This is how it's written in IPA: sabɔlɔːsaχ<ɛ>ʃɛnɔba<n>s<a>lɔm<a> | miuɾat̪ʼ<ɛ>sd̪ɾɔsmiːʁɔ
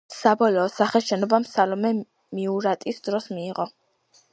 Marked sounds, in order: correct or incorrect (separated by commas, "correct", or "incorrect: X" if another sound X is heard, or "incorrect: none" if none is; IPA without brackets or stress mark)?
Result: correct, incorrect: m, correct, incorrect: ɛ, incorrect: i